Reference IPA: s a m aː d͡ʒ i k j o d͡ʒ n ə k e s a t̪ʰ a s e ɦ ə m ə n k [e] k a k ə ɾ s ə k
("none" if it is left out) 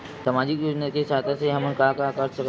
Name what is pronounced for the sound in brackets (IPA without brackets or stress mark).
a